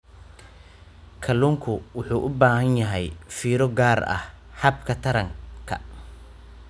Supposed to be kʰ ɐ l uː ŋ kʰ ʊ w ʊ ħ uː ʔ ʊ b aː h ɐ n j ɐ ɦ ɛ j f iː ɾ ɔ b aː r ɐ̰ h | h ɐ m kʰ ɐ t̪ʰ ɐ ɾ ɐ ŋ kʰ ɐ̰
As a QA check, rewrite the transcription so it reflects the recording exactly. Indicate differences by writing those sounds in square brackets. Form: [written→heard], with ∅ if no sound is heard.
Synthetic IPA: kʰ ɐ l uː ŋ kʰ ʊ w ʊ ħ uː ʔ ʊ b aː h ɐ n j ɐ ɦ ɛ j f iː ɾ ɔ [b→ɡ] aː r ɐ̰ h | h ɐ [m→b] kʰ ɐ t̪ʰ ɐ ɾ ɐ ŋ kʰ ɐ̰